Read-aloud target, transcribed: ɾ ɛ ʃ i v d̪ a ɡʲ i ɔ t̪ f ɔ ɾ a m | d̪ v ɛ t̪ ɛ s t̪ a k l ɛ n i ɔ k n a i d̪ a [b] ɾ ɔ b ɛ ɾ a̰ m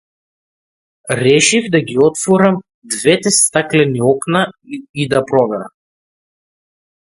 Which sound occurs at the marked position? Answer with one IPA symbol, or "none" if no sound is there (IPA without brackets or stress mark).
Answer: p